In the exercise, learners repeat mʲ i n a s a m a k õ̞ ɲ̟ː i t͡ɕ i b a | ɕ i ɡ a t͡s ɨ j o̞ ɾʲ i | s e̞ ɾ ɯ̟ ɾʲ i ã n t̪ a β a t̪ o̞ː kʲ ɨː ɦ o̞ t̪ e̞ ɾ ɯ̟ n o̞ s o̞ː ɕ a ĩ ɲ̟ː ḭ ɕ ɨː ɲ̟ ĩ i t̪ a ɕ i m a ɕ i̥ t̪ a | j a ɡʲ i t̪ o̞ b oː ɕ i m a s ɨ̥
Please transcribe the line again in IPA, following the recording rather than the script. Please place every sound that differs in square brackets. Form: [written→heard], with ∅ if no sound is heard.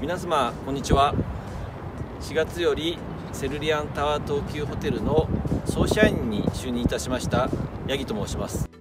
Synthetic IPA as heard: mʲ i n a s a m a k õ̞ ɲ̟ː i t͡ɕ i [b→β] a | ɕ i ɡ a t͡s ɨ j o̞ ɾʲ i | s e̞ ɾ ɯ̟ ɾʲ i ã n t̪ a β a t̪ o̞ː kʲ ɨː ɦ o̞ t̪ e̞ ɾ ɯ̟ n o̞ s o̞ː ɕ a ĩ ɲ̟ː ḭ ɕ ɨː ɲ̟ ĩ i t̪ a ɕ i m a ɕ i̥ t̪ a | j a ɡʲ i t̪ o̞ [b→m] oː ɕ i m a s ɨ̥